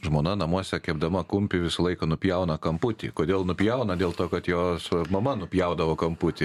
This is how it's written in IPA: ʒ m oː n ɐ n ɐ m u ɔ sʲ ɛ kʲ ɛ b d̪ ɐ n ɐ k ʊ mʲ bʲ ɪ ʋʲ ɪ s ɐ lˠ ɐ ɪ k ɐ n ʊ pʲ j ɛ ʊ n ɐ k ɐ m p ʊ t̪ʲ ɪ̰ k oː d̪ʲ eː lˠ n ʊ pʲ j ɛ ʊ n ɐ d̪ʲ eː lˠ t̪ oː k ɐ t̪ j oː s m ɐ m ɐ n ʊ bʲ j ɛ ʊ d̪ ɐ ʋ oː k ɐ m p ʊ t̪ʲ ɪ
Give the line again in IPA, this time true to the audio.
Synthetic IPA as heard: ʒ m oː n ɐ n ɐ m u ɔ sʲ ɛ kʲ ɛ b d̪ ɐ m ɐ k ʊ mʲ pʲ ɪ ʋʲ ɪ s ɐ lˠ ɐ ɪ k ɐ n ʊ pʲ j ɛ ʊ n ɐ k ɐ m p ʊ t̪ʲ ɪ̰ k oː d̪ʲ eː lˠ n ʊ pʲ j ɛ ʊ n ɐ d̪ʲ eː lˠ t̪ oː k ɐ t̪ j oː s m ɐ m ɐ n ʊ pʲ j ɛ ʊ d̪ ɐ ʋ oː k ɐ m p ʊ t̪ʲ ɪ